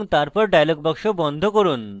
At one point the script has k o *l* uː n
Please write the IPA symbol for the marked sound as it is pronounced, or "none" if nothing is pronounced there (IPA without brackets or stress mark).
ɾ